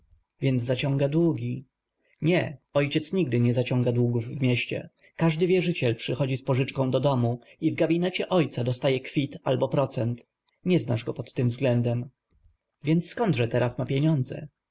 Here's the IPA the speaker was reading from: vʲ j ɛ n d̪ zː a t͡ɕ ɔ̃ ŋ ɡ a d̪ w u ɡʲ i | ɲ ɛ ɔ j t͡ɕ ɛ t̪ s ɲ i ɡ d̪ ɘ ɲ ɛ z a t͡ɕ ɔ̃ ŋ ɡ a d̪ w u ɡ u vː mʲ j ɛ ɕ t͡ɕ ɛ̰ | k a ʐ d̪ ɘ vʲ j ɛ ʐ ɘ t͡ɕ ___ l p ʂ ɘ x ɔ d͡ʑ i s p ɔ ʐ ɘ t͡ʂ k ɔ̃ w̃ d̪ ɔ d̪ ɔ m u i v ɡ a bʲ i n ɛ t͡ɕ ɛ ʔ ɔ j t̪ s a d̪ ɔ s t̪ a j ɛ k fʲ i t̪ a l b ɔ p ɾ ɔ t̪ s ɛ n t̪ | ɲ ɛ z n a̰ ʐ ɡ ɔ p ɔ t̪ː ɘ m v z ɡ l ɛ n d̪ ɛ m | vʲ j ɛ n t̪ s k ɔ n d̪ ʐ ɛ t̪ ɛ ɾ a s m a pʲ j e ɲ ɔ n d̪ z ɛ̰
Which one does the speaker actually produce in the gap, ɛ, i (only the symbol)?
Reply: ɛ